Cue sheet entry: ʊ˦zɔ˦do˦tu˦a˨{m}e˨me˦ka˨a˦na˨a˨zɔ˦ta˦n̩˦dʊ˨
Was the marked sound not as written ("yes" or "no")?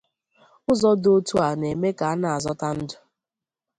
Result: yes